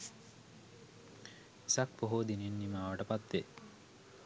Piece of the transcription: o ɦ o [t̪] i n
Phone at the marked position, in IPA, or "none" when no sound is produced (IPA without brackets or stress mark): d̪